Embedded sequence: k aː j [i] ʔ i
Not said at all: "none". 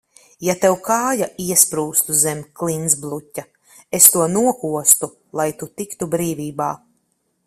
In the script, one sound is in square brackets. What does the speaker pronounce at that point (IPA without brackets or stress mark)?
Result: a